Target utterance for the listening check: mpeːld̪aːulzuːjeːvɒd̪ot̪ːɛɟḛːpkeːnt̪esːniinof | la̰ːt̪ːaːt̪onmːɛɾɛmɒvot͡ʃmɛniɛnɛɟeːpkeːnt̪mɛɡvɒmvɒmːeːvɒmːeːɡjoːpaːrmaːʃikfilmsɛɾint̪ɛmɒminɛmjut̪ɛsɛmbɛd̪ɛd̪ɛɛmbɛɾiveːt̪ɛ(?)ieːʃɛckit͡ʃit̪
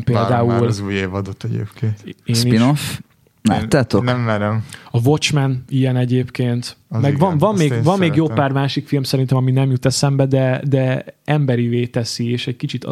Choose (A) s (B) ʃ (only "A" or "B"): A